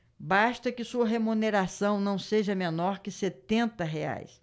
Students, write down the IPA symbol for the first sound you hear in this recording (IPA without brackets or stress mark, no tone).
b